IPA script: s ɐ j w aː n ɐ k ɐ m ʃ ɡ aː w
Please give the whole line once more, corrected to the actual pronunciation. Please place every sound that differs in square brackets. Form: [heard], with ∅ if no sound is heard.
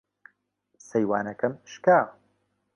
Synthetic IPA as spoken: s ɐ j w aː n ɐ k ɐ m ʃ [k] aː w